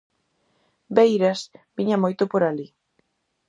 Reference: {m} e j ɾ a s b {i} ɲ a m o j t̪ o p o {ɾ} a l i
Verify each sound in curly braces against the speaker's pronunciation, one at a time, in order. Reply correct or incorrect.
incorrect: b, correct, correct

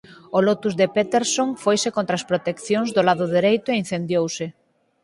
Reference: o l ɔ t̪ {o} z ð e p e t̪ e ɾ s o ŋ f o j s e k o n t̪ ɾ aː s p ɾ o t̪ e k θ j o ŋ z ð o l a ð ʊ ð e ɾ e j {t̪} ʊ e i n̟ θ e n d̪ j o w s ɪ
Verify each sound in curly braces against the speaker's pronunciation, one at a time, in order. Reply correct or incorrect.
incorrect: u, correct

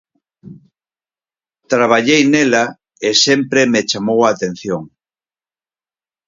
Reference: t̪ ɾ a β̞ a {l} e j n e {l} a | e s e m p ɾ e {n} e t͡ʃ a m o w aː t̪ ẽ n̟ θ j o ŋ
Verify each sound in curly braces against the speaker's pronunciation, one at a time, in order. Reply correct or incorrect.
incorrect: ʎ, correct, incorrect: m

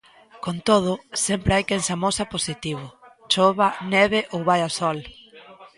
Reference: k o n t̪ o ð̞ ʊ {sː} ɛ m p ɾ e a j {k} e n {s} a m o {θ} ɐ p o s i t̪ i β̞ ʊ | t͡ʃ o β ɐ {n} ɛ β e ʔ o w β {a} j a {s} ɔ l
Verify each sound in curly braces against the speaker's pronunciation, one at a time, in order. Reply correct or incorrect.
incorrect: s, correct, correct, incorrect: s, correct, correct, correct

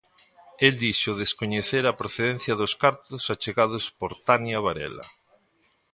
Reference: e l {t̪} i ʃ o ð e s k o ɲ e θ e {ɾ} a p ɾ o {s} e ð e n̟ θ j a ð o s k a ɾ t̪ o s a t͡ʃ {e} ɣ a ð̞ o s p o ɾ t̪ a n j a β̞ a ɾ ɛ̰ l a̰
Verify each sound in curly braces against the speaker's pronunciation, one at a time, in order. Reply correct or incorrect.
incorrect: d̪, correct, incorrect: θ, correct

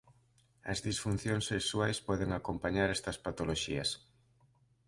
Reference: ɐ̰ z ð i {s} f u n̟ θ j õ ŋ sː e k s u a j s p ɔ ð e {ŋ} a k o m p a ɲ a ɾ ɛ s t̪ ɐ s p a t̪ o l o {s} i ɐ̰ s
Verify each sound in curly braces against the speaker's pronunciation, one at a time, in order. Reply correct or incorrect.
correct, correct, incorrect: ʃ

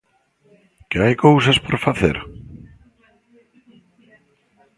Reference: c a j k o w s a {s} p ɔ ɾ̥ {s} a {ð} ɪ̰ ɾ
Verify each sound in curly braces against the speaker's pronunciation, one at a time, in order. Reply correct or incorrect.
correct, incorrect: f, incorrect: θ

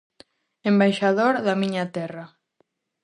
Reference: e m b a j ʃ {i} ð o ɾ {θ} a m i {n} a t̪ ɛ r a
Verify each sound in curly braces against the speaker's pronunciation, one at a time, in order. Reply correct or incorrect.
incorrect: a, incorrect: ð, incorrect: ɲ

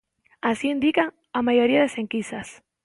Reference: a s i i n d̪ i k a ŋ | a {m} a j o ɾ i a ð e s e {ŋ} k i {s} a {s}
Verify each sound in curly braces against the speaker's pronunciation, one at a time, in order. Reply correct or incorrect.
correct, correct, correct, correct

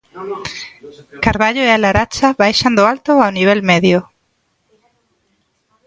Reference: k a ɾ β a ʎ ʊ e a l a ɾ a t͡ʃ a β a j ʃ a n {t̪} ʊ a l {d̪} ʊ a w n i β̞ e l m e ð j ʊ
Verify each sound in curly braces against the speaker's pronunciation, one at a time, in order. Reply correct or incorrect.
incorrect: d̪, incorrect: t̪

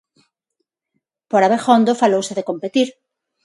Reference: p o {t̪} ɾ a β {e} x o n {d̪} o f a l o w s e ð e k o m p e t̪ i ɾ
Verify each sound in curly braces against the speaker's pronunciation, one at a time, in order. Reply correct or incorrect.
incorrect: none, correct, correct

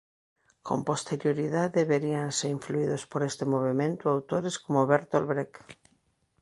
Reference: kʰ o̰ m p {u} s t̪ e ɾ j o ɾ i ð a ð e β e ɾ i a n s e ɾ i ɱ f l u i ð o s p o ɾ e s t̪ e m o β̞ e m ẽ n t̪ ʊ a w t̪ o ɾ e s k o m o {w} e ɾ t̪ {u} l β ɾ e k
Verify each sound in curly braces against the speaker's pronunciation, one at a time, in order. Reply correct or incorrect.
incorrect: o, incorrect: β, incorrect: o

